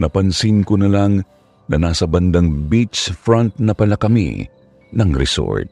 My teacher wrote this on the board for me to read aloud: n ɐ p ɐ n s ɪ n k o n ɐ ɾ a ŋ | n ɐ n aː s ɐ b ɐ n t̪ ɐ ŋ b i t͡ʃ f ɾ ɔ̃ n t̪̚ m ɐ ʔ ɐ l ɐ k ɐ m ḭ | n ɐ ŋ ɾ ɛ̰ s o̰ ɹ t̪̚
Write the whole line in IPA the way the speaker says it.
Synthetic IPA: n ɐ p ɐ n s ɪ n k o n ɐ l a ŋ | n ɐ n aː s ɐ b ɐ n d̪ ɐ ŋ b i t͡ʃ f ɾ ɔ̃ n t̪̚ n ɐ p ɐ l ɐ k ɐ m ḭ | n ɐ ŋ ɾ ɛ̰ s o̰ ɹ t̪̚